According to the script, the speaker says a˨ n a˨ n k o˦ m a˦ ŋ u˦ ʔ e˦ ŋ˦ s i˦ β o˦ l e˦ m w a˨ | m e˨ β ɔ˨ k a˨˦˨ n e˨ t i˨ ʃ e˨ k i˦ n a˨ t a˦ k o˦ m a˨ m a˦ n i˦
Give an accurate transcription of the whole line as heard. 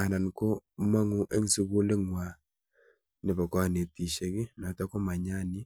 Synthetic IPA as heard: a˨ n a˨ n k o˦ m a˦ ŋ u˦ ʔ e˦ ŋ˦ s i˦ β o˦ l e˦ ŋ w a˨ | n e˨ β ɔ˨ k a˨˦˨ n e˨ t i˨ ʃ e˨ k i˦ n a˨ t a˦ k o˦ m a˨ ɲ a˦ n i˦